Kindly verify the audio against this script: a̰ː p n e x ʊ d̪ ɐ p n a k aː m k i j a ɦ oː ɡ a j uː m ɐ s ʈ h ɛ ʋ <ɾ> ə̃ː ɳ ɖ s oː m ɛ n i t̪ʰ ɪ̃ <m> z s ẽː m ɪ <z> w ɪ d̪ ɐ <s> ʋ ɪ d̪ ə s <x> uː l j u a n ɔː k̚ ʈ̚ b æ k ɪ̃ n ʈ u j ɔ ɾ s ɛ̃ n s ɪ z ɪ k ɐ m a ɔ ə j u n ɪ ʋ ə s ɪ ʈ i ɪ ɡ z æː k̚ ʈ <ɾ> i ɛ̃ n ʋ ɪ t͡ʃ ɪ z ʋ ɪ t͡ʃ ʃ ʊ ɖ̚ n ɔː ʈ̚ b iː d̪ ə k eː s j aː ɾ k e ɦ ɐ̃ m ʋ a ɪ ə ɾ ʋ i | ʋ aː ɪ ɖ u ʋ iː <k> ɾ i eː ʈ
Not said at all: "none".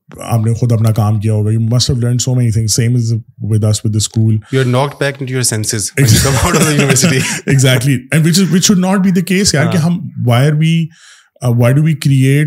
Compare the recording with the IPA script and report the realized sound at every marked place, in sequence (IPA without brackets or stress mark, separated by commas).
l, ŋ, z, s, k, l, k